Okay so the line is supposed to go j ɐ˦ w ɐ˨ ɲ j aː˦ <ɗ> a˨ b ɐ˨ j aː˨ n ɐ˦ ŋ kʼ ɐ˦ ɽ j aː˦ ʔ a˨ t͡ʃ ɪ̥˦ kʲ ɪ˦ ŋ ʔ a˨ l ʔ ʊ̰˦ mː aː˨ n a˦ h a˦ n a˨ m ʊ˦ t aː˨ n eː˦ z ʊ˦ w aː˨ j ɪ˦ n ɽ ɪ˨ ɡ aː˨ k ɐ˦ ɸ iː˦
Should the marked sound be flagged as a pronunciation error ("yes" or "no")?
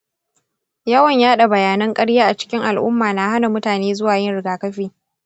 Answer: no